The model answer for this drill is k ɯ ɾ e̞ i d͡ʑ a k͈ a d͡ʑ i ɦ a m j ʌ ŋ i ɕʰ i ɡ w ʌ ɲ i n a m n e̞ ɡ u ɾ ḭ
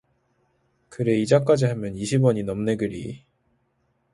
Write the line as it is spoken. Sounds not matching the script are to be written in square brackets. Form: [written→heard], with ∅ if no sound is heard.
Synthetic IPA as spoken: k ɯ ɾ e̞ i d͡ʑ a k͈ a d͡ʑ i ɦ a m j ʌ [ŋ→n] i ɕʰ i [ɡ→b] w ʌ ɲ i n [a→ʌ] m n e̞ ɡ [u→ɯ] ɾ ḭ